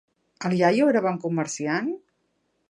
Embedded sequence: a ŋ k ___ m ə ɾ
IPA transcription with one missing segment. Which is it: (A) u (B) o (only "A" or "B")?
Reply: A